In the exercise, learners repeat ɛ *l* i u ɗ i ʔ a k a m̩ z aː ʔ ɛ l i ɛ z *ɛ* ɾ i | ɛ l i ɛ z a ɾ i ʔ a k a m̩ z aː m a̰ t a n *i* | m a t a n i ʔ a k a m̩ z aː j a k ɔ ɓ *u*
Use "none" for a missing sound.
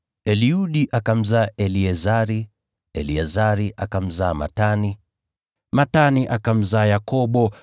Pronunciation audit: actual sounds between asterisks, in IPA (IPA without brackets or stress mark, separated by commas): l, a, i, ɔ